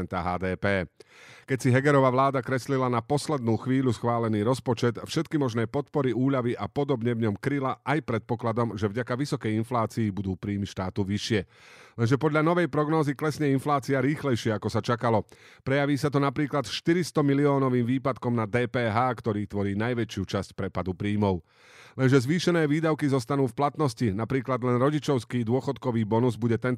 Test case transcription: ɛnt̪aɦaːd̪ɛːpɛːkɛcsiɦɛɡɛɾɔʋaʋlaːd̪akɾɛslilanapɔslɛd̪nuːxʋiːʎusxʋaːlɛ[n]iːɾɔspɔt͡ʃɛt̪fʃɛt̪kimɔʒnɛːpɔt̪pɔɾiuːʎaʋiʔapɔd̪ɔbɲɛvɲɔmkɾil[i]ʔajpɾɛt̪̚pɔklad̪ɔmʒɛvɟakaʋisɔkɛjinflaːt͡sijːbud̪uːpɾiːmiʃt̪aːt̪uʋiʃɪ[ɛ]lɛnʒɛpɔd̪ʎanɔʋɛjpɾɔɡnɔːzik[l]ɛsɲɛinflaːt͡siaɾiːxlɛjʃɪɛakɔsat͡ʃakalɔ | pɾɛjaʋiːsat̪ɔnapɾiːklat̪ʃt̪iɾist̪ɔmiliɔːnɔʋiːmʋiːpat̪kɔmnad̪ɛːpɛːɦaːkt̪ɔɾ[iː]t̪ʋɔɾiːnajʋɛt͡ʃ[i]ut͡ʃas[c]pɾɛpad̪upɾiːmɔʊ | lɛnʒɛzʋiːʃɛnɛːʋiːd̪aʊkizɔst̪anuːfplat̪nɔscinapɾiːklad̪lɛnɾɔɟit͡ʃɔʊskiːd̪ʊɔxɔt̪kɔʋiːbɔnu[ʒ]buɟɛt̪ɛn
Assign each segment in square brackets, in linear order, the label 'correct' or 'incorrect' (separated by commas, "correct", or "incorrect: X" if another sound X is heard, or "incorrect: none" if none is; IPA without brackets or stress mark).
correct, incorrect: a, correct, correct, correct, incorrect: ɪ, correct, incorrect: z